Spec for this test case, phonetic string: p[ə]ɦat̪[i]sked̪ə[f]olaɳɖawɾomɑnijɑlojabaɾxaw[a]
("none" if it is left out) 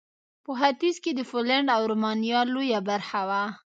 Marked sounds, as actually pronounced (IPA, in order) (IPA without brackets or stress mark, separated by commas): ə, i, f, a